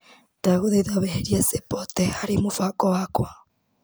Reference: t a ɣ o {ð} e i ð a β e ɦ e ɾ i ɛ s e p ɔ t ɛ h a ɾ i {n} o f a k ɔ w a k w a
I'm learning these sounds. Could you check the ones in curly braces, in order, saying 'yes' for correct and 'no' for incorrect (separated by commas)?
yes, no